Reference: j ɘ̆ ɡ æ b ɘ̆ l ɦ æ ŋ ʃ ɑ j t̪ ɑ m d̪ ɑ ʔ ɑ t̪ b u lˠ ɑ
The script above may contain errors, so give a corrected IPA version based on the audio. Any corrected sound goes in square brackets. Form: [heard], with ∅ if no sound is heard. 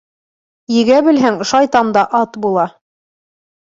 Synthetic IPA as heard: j ɘ̆ ɡ æ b ɘ̆ l ɦ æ ŋ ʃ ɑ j t̪ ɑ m d̪ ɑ ʔ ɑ t̪ b u lˠ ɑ